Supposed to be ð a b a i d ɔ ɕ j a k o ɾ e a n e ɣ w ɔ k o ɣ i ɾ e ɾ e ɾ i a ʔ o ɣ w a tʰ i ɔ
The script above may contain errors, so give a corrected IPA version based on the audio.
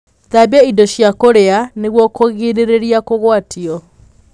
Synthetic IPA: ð a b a i d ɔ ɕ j a k o ɾ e a n e ɣ w ɔ k o ɣ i ɾ e ɾ e ɾ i a k o ɣ w a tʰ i ɔ